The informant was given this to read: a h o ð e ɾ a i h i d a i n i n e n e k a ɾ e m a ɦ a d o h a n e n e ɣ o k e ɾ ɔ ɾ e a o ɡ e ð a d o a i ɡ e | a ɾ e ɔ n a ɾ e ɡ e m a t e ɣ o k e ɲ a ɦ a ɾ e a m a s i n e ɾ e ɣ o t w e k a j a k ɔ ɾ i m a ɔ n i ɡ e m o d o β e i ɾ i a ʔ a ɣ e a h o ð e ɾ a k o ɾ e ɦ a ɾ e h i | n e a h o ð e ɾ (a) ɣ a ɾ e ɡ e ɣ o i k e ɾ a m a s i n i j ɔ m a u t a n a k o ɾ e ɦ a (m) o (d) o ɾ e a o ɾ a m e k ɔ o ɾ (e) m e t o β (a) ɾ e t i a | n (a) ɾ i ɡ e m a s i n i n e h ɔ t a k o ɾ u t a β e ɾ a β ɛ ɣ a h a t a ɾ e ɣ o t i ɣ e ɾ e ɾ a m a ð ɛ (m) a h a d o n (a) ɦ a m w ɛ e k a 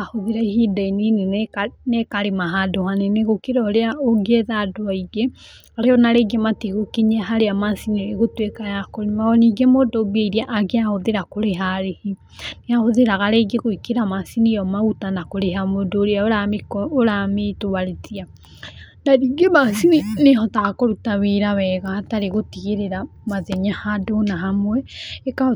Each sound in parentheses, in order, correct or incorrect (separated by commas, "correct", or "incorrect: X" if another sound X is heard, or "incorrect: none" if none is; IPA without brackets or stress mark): correct, correct, correct, incorrect: a, correct, correct, incorrect: ɲ, correct